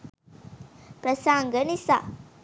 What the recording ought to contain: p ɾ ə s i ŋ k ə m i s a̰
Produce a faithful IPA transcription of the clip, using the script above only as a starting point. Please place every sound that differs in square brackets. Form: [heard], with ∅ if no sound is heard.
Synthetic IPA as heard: p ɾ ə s [a] ŋ [ɡ] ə [n] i s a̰